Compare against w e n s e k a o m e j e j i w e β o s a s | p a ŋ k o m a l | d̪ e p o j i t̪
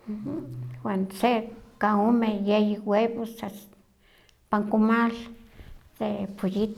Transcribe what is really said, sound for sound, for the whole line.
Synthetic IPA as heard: w a n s e k a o m e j e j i w e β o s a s | p a ŋ k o m a l | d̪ e p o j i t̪